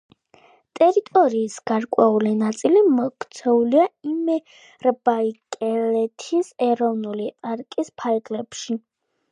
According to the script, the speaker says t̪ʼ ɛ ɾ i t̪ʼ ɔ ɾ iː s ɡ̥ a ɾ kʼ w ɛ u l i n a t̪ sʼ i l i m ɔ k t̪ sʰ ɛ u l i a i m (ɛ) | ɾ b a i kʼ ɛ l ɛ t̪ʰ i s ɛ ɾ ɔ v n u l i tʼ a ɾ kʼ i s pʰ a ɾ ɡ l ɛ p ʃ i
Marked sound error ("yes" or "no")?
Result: no